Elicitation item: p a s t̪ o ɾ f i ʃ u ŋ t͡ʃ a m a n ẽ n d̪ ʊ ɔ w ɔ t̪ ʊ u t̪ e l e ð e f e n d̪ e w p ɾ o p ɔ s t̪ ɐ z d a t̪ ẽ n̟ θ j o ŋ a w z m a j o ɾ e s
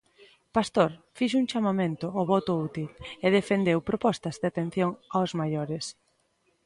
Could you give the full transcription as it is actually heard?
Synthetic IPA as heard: p a s t̪ o ɾ f i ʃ u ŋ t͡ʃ a m a m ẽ n t̪ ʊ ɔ β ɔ t̪ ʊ u t̪ i l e ð e f e n d̪ e w p ɾ o p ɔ s t̪ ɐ z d a t̪ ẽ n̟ θ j o ŋ a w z m a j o ɾ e s